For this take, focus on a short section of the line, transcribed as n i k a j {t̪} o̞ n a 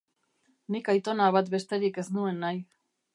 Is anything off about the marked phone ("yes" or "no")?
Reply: no